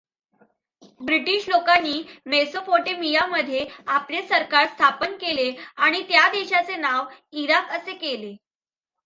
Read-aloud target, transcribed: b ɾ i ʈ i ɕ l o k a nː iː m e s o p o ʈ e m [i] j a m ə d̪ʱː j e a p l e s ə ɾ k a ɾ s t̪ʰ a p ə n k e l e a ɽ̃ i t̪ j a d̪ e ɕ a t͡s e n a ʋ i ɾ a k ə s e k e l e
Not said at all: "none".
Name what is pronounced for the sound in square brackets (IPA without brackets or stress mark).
i